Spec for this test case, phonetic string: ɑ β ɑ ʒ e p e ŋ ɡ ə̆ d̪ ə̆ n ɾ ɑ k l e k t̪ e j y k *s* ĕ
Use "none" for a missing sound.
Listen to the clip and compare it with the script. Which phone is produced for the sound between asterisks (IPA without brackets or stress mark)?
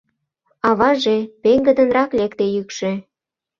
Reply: ʃ